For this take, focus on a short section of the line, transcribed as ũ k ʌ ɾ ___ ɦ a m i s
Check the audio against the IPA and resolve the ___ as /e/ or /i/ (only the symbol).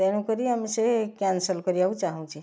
i